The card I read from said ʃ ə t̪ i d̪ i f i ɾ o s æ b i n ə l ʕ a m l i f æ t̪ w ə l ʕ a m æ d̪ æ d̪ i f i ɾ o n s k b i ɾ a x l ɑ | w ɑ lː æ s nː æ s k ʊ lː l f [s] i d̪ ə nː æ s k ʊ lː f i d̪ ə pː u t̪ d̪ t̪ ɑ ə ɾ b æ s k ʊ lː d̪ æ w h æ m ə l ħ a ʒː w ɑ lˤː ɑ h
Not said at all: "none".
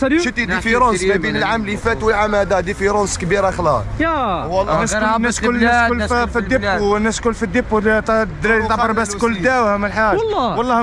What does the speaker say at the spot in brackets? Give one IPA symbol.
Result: f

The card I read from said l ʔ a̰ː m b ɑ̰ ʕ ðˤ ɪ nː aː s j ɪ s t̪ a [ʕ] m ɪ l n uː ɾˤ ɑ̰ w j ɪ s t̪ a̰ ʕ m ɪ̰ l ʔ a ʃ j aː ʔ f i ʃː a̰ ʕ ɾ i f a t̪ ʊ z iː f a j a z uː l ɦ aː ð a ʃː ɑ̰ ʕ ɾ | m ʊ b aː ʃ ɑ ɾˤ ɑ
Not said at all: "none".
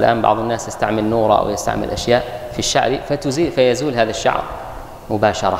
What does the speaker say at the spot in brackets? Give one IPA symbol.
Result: ʕ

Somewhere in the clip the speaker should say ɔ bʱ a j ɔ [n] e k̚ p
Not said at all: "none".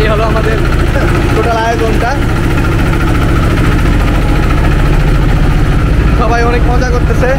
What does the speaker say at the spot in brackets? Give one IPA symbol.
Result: n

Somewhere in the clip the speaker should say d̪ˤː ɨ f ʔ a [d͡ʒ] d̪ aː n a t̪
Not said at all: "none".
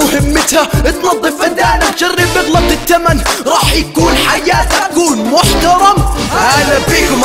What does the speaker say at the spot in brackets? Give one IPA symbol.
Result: none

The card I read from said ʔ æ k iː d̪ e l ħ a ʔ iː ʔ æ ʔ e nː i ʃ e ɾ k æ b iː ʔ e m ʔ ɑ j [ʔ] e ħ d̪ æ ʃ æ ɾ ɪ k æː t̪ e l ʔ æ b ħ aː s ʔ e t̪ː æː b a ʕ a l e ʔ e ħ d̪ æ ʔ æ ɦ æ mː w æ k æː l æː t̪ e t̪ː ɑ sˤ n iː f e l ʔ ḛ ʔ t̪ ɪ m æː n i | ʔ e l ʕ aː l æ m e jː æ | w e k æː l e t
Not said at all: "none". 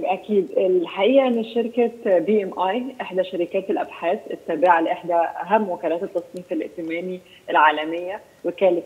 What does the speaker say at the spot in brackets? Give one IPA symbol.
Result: ʔ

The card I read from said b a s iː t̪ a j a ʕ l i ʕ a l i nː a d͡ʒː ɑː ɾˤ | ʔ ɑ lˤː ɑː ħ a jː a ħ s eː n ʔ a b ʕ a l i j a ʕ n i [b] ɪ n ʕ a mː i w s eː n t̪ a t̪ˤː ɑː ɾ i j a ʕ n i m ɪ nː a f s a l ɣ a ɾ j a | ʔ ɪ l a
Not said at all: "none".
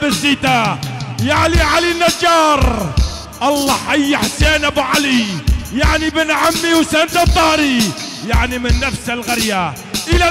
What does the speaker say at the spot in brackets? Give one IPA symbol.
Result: b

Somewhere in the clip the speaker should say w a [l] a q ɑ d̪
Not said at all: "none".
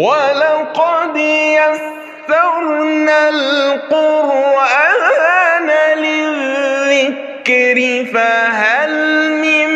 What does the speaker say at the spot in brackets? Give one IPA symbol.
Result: l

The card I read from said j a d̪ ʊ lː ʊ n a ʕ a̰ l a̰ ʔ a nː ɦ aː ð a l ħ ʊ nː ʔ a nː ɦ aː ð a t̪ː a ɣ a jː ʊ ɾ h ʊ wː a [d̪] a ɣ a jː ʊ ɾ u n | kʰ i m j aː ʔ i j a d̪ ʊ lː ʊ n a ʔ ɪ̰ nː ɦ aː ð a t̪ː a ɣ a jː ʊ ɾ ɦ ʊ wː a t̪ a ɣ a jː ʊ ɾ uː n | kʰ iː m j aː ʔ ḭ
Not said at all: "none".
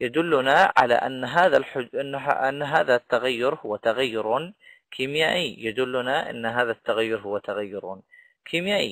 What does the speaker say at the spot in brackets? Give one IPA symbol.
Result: t̪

